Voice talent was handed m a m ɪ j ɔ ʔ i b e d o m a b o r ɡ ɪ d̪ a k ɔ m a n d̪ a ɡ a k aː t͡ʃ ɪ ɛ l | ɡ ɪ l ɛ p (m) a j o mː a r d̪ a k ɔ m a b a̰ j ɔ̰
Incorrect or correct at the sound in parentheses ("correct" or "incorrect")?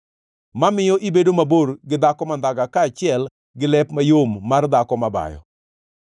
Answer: correct